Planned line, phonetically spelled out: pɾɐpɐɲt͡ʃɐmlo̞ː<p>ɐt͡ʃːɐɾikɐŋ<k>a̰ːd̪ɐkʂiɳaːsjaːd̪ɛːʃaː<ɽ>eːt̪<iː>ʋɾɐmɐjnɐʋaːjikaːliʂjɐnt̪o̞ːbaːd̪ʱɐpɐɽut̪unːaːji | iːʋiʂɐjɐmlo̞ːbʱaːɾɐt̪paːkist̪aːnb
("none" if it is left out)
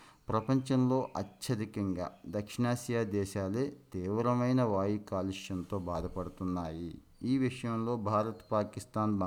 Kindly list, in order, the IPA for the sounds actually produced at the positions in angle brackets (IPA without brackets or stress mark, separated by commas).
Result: ʔ, ɡ, l, iː